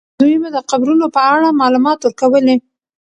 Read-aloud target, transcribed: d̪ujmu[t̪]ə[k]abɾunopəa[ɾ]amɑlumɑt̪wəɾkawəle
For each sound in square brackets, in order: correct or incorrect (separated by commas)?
incorrect, incorrect, incorrect